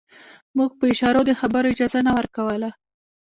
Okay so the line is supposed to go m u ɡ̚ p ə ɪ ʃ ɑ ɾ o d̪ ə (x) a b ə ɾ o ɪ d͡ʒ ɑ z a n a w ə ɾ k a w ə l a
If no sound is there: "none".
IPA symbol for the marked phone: x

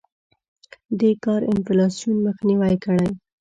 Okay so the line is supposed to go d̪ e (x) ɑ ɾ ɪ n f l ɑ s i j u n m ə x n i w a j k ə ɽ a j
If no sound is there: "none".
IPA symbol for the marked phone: k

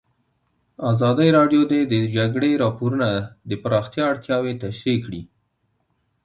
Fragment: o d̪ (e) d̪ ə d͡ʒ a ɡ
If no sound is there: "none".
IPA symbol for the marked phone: e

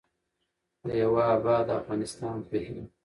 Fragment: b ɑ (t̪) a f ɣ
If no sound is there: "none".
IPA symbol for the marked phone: d̪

